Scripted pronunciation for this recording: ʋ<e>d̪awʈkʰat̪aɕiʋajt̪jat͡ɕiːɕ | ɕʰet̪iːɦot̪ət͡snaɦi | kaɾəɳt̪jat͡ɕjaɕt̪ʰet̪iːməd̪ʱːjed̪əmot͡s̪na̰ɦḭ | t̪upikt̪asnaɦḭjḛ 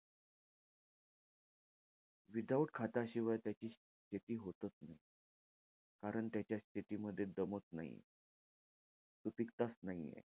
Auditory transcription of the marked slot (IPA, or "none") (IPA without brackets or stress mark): i